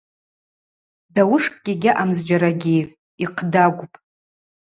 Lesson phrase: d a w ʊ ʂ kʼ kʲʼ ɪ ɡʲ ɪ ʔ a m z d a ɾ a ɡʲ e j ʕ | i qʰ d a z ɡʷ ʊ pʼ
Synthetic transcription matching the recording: d a w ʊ ʂ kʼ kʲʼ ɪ ɡʲ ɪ ʔ a m z d͡ʒ a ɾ a ɡʲ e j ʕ | i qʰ d a ɡʷ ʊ pʼ